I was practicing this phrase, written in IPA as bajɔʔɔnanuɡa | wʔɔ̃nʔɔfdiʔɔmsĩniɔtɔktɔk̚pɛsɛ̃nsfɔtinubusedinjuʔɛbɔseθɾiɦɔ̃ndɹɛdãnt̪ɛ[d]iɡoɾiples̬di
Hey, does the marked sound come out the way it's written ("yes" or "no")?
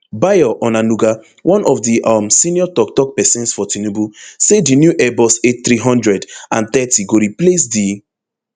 no